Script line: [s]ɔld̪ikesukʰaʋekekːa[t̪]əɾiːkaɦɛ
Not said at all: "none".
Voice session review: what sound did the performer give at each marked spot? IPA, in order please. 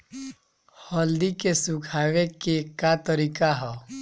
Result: h, t̪

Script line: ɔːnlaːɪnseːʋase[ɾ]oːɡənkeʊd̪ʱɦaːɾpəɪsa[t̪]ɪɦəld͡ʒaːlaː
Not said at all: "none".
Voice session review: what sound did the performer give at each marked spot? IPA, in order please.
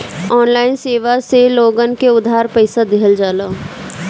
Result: l, d̪

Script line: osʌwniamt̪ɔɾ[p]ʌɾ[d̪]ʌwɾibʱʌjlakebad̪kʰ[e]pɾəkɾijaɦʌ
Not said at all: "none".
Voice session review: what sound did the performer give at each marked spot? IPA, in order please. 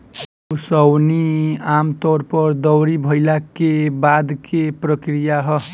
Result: p, d̪, e

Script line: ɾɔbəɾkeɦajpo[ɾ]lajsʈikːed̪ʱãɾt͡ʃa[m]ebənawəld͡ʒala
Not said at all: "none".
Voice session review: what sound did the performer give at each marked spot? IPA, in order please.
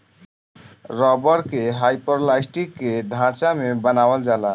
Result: ɾ, m

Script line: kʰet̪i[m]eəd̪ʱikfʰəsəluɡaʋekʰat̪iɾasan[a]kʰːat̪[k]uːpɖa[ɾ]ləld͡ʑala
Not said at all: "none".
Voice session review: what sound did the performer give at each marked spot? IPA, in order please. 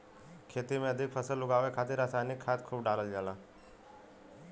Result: m, i, kʰ, none

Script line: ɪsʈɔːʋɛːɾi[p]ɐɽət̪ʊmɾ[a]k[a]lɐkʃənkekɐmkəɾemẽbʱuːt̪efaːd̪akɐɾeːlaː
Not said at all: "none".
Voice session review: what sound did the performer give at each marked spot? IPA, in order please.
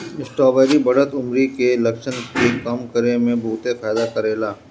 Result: b, i, e

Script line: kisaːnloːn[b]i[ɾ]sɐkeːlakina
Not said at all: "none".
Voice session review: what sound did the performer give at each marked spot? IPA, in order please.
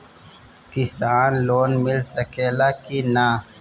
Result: m, l

